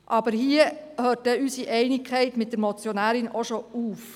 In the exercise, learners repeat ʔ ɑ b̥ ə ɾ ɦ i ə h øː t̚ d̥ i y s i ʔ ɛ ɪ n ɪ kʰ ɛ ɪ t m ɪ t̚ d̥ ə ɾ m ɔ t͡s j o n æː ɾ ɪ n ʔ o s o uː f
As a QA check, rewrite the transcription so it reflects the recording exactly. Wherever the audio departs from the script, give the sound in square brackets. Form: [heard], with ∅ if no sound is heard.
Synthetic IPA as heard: ʔ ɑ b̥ ə ɾ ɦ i ə h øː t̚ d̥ [ɛ] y s i ʔ ɛ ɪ n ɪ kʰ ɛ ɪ t m ɪ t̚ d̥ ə ɾ m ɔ t͡s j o n æː ɾ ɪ n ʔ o [ʃ] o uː f

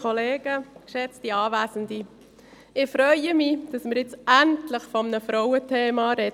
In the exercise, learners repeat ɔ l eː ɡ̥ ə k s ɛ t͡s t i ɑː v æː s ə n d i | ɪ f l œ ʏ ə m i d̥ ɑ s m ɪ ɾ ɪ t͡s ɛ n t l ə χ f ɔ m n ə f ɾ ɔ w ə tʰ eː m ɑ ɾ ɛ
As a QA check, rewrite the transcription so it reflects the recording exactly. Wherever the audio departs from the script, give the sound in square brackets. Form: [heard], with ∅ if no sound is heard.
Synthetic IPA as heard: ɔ l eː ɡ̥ ə k [ʃ] ɛ t͡s t i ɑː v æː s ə n d i | ɪ f [ɾ] œ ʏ ə m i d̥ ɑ s m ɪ ɾ ɪ t͡s [æ] n t l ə χ f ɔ m n ə f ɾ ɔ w ə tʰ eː m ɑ ɾ ɛ

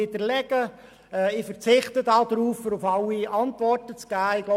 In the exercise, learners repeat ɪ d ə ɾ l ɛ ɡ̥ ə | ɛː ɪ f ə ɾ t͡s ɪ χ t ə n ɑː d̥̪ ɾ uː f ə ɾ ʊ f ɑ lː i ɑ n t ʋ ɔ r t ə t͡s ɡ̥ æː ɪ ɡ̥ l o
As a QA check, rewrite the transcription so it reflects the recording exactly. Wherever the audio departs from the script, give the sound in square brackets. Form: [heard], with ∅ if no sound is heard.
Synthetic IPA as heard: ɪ d ə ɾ l ɛ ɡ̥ ə | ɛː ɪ f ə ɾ t͡s ɪ χ t ə [d] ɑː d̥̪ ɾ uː f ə ɾ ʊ f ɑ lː i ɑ n t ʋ ɔ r t ə t͡s ɡ̥ æː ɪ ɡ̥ l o

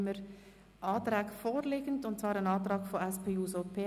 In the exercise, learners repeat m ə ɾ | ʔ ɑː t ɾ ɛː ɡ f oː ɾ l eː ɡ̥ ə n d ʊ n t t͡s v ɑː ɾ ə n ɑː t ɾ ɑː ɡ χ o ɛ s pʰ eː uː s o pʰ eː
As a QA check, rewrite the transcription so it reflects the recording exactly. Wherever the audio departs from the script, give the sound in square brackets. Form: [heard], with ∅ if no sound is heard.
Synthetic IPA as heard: m ə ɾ | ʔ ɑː t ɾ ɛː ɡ f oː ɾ l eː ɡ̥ ə n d ʊ n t t͡s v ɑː ɾ ə n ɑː t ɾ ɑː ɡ [f] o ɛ s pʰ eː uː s o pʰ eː

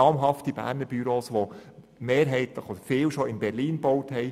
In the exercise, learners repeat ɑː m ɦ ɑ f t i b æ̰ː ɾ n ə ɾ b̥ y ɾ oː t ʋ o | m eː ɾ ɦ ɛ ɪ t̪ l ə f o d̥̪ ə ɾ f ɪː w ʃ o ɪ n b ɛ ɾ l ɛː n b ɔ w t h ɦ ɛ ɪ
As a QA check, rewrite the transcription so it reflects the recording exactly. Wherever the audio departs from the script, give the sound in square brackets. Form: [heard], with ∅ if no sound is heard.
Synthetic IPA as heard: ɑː m ɦ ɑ f t i b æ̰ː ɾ n ə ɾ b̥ y ɾ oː [s] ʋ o | m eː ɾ ɦ ɛ ɪ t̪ l ə [χ] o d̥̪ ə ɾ f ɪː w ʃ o ɪ n b ɛ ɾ l [iː] n b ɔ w t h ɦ ɛ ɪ

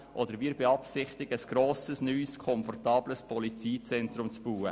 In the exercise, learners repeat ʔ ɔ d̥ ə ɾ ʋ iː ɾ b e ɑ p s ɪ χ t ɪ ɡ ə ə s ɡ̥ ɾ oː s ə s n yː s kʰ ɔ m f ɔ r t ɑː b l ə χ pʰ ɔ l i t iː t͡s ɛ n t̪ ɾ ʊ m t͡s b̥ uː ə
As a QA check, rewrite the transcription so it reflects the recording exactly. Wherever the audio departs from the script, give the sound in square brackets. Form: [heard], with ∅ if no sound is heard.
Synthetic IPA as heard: ʔ ɔ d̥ ə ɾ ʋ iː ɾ b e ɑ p s ɪ χ t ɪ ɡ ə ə s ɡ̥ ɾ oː s ə s n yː s kʰ ɔ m f ɔ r t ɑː b l ə [s] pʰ ɔ l i [t͡s] iː t͡s ɛ n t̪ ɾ ʊ m t͡s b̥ uː ə

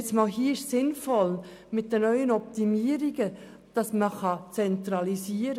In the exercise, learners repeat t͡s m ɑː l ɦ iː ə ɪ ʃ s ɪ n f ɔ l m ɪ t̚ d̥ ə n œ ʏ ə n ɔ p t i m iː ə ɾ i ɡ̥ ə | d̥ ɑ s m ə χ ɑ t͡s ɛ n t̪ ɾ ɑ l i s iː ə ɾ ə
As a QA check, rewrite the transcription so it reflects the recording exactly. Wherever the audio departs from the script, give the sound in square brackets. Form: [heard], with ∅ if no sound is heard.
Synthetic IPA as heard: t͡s m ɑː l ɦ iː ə ɪ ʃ s ɪ n f ɔ l m ɪ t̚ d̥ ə n œ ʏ ə n ɔ p t i m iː ə ɾ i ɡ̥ ə | d̥ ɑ s m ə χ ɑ t͡s ɛ n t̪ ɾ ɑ l i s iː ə ɾ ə

